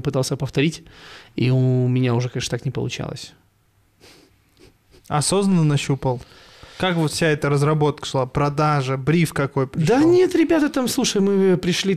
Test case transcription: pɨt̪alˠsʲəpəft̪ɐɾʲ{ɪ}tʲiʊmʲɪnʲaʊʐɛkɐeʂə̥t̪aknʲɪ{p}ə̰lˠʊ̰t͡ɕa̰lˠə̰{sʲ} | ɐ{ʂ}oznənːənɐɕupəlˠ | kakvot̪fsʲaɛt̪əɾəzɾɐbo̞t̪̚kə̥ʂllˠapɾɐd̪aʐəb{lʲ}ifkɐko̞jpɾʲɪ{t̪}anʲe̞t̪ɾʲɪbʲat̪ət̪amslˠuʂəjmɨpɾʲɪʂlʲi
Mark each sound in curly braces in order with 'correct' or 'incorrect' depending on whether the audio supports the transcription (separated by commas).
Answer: incorrect, correct, correct, incorrect, incorrect, incorrect